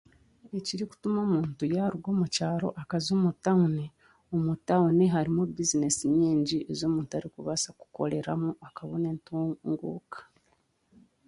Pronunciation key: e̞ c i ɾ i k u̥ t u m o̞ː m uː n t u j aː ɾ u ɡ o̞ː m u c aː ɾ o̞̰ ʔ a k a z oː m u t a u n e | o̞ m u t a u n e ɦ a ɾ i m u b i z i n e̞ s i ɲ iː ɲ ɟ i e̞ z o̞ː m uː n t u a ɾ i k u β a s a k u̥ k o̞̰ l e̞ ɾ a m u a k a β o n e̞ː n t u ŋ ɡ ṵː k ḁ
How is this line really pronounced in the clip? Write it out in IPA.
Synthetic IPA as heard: e̞ c i ɾ i k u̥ t u m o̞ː m uː n t u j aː ɾ u ɡ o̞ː m u c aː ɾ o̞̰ ʔ a k a z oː m u t a u n e | o̞ m u t a u n e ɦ a ɾ i m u b i z i n e̞ s i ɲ iː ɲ ɟ i e̞ z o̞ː m uː n t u a ɾ i k u β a s a k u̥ k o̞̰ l e̞ ɾ a m u a k a β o n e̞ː n t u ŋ ɡ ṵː k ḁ